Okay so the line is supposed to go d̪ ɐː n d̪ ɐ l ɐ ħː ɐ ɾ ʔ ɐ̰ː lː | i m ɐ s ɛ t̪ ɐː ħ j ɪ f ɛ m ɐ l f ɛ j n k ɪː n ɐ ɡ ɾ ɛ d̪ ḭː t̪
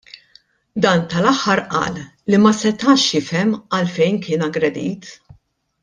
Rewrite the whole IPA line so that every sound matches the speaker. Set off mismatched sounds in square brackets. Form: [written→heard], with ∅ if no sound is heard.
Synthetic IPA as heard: d̪ ɐː n [d̪→t̪] ɐ l ɐ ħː ɐ ɾ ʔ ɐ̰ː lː | i m ɐ s ɛ t̪ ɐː [ħ→ʃ] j ɪ f ɛ m ɐ l f ɛ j n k ɪː n ɐ ɡ ɾ ɛ d̪ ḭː t̪

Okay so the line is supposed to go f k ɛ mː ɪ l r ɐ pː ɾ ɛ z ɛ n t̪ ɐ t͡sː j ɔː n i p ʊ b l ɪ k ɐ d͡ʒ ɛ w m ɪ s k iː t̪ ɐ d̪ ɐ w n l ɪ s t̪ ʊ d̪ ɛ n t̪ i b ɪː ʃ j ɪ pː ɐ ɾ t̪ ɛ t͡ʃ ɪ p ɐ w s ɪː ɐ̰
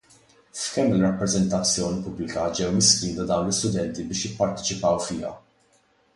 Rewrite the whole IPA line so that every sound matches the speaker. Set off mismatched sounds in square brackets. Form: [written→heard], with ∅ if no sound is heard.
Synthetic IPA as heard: f k ɛ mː ɪ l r ɐ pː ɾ ɛ z ɛ n t̪ ɐ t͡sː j ɔː n i p ʊ b l ɪ k ɐ d͡ʒ ɛ w m ɪ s k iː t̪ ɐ d̪ ɐ w n l ɪ s t̪ ʊ d̪ ɛ n t̪ i b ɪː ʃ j ɪ pː ɐ ɾ t̪ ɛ t͡ʃ ɪ p ɐ w [s→f] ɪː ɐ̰

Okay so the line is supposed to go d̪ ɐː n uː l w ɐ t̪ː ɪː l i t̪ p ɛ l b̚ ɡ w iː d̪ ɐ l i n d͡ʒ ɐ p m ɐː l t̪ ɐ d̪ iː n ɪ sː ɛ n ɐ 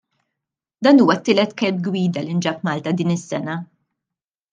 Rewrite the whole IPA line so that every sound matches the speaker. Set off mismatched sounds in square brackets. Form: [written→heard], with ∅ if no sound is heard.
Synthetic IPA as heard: d̪ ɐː n uː [l→∅] w ɐ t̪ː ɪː l [i→ɛ] t̪ [p→k] ɛ l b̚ ɡ w iː d̪ ɐ l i n d͡ʒ ɐ p m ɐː l t̪ ɐ d̪ iː n ɪ sː ɛ n ɐ

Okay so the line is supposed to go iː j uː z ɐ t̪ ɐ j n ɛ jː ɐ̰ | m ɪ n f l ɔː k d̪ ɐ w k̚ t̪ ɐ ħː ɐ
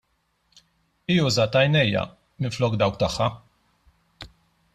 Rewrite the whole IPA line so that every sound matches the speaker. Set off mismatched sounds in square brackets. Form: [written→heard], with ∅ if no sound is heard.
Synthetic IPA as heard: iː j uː z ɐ t̪ ɐ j n ɛ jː ɐ̰ | m ɪ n f l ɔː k d̪ ɐ w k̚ t̪ ɐ ħː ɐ

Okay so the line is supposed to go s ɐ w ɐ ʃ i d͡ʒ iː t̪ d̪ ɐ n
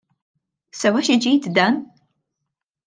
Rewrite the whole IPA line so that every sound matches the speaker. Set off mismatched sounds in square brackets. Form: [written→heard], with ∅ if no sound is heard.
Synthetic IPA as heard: s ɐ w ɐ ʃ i d͡ʒ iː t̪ d̪ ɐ n

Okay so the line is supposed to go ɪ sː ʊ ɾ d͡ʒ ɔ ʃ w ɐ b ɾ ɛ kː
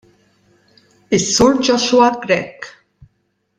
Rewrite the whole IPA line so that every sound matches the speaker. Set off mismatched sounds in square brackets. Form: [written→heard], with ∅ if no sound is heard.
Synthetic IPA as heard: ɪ sː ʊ ɾ d͡ʒ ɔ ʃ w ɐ [b→ɡ] ɾ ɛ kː

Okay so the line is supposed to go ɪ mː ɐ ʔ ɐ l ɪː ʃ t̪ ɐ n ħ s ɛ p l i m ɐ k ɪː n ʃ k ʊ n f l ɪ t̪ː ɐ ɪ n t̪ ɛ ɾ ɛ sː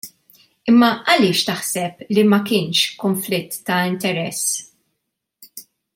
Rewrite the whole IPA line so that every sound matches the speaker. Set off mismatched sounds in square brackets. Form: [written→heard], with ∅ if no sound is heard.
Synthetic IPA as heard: ɪ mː ɐ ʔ ɐ l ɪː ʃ t̪ ɐ [n→∅] ħ s ɛ p l i m ɐ k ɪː n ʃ k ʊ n f l ɪ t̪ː ɐ ɪ n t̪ ɛ ɾ ɛ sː

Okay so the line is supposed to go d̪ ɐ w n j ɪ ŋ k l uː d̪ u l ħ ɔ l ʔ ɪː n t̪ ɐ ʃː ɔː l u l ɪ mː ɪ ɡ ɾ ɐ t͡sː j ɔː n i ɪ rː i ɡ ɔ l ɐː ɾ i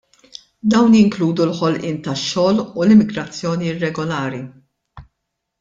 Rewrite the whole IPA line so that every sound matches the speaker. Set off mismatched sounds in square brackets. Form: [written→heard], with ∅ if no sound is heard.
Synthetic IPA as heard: d̪ ɐ w n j ɪ ŋ k l uː d̪ u l ħ ɔ l ʔ ɪː n t̪ ɐ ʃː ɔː l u l ɪ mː ɪ ɡ ɾ ɐ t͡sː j ɔː n i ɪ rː [i→ɛ] ɡ ɔ l ɐː ɾ i

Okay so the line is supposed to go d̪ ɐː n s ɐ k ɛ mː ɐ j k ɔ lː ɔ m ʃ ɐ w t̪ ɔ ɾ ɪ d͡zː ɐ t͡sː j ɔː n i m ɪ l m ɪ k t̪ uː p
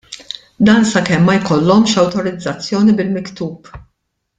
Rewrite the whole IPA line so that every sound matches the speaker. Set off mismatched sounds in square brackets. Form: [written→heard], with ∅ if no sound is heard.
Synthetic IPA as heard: d̪ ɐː n s ɐ k ɛ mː ɐ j k ɔ lː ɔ m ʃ ɐ w t̪ ɔ ɾ ɪ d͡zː ɐ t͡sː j ɔː n i [m→b] ɪ l m ɪ k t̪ uː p

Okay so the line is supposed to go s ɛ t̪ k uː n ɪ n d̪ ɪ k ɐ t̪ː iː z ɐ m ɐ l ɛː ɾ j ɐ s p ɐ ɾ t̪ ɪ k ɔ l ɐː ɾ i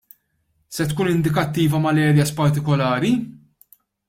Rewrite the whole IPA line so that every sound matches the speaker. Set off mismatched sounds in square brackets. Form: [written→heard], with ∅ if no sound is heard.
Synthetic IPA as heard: s ɛ t̪ k uː n ɪ n d̪ ɪ k ɐ t̪ː iː [z→v] ɐ m ɐ l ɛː ɾ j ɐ s p ɐ ɾ t̪ ɪ k ɔ l ɐː ɾ i

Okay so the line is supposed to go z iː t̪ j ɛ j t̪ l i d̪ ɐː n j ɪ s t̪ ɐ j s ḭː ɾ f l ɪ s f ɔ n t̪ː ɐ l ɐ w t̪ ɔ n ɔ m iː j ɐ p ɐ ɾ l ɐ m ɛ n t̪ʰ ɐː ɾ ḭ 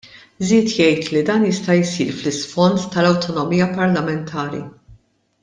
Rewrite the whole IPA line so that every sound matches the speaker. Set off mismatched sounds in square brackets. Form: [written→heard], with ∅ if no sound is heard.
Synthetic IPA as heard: z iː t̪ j ɛ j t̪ l i d̪ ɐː n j ɪ s t̪ ɐ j s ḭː ɾ f l ɪ s f ɔ n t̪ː ɐ l ɐ w t̪ ɔ n ɔ m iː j ɐ p ɐ ɾ l ɐ m ɛ n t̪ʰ ɐː ɾ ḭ

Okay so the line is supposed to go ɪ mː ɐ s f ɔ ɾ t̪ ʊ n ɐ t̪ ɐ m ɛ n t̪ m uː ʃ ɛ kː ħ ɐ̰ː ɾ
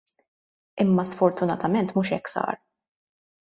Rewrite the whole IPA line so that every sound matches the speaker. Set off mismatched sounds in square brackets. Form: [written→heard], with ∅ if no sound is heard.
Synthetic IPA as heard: ɪ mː ɐ s f ɔ ɾ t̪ ʊ n ɐ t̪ ɐ m ɛ n t̪ m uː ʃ ɛ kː [ħ→s] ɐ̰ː ɾ

